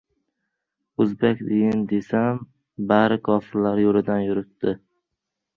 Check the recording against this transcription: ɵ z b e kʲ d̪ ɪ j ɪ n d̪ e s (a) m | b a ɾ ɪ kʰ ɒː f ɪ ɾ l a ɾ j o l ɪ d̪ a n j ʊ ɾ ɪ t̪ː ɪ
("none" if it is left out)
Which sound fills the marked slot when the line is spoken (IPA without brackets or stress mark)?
a